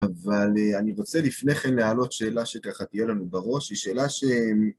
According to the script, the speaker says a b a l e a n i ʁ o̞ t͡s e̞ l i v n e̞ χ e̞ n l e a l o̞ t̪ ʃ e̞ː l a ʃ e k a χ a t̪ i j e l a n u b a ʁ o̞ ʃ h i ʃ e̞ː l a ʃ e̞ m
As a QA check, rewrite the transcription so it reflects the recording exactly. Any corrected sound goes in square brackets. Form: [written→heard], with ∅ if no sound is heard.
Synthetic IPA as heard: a [b→v] a l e a n i ʁ o̞ t͡s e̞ l i [v→f] n e̞ χ e̞ n l e a l o̞ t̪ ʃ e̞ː l a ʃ e k a χ a t̪ i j e l a n u b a ʁ o̞ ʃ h i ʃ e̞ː l a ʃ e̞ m